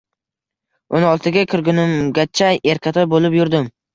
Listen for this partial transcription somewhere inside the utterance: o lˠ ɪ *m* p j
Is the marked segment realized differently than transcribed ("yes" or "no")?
yes